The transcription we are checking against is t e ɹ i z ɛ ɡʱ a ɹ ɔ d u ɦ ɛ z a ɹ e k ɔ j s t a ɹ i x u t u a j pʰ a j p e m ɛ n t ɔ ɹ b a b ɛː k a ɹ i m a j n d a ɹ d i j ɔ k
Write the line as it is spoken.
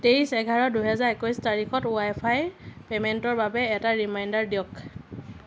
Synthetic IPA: t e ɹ i s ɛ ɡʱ a ɹ ɔ d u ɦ ɛ z a ɹ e k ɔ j s t a ɹ i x ɔ t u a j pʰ a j p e m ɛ n t ɔ ɹ b a b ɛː t a ɹ i m a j n d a ɹ d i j ɔ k